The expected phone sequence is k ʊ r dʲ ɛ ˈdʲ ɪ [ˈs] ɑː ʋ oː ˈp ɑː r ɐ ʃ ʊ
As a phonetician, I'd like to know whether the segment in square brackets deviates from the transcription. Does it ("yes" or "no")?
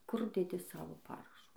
no